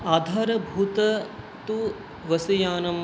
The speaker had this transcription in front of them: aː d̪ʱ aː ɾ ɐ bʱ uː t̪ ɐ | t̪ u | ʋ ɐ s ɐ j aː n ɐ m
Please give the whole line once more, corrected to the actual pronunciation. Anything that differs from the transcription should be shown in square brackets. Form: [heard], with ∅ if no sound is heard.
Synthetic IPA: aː d̪ʱ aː ɾ ɐ bʱ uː t̪ ɐ | t̪ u | ʋ ɐ s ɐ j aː n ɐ m

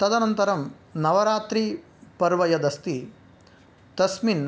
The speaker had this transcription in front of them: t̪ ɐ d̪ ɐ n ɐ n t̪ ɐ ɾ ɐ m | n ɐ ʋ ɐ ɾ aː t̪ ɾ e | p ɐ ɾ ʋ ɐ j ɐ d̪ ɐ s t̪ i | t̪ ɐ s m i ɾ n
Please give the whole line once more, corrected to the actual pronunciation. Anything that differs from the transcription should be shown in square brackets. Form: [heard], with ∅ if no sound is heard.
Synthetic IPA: t̪ ɐ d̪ ɐ n ɐ n t̪ ɐ ɾ ɐ m | n ɐ ʋ ɐ ɾ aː t̪ ɾ [i] | p ɐ ɾ ʋ ɐ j ɐ d̪ ɐ s t̪ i | t̪ ɐ s m i [∅] n

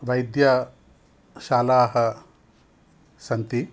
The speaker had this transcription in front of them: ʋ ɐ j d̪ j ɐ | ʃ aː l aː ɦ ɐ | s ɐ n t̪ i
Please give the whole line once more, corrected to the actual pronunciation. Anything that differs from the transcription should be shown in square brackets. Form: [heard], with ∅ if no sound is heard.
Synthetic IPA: ʋ ɐ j d̪ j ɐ | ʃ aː l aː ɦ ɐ | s ɐ n t̪ i

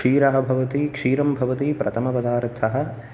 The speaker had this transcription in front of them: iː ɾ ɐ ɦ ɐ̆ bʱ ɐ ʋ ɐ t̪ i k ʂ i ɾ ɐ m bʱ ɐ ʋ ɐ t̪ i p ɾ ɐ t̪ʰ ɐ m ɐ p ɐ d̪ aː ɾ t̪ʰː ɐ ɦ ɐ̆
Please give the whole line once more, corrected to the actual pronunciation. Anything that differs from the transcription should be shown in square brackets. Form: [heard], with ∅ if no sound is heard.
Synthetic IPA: iː ɾ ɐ ɦ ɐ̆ bʱ ɐ ʋ ɐ t̪ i k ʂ [iː] ɾ ɐ m bʱ ɐ ʋ ɐ t̪ i p ɾ ɐ t̪ʰ ɐ m ɐ p ɐ d̪ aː ɾ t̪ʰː ɐ ɦ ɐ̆

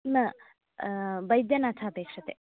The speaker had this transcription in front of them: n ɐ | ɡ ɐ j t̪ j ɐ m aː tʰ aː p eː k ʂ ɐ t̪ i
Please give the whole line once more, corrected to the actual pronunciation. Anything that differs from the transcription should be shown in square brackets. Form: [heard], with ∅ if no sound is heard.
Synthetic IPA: n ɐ | [b] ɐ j [d̪] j ɐ [n] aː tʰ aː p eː k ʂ ɐ t̪ [e]

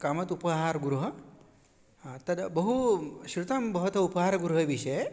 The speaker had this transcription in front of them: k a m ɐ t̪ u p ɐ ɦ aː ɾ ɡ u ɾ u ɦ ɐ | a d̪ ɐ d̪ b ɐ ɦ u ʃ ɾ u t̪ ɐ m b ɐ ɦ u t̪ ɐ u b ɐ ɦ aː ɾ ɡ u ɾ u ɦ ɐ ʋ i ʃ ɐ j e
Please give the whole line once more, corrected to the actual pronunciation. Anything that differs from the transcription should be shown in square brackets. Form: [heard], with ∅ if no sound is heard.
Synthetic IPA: k a m ɐ t̪ u p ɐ ɦ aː ɾ ɡ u ɾ u ɦ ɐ | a [t̪] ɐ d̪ b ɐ ɦ u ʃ ɾ u t̪ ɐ m b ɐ ɦ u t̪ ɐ u [p] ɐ ɦ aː ɾ ɡ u ɾ u ɦ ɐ ʋ i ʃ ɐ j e

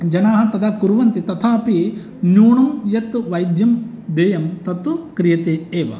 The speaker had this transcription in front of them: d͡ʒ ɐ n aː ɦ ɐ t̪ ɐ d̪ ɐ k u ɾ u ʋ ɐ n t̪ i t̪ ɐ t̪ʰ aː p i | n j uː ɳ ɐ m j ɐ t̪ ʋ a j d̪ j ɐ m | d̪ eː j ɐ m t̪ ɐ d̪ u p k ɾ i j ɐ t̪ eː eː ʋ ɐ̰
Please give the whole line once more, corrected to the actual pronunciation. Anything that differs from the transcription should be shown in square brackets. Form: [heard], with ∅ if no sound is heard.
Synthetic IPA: d͡ʒ ɐ n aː ɦ ɐ t̪ ɐ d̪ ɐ k u ɾ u ʋ ɐ n t̪ i t̪ ɐ t̪ʰ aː p i | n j uː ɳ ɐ m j ɐ t̪ ʋ [ɐ] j d̪ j ɐ m | d̪ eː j ɐ m t̪ ɐ [t̪] u [∅] k ɾ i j ɐ t̪ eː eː ʋ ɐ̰

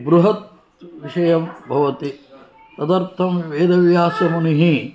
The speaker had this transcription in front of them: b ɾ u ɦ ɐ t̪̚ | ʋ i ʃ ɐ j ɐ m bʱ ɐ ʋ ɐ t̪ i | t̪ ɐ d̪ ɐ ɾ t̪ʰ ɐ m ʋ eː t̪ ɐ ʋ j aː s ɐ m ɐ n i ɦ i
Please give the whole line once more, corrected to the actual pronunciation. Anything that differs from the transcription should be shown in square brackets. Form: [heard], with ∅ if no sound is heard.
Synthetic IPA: b ɾ u ɦ ɐ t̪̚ | ʋ i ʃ ɐ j ɐ m bʱ ɐ ʋ ɐ t̪ i | t̪ ɐ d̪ ɐ ɾ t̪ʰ ɐ m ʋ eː [d̪] ɐ ʋ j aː s ɐ m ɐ n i ɦ i

